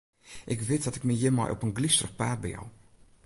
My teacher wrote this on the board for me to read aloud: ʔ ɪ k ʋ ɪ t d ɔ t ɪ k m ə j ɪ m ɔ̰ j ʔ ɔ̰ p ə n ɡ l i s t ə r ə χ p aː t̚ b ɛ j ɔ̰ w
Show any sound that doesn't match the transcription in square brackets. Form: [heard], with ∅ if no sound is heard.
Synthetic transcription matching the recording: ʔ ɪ k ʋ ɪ t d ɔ t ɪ k m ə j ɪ m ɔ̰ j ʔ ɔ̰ p ə n ɡ l i s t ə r ə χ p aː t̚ b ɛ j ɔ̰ w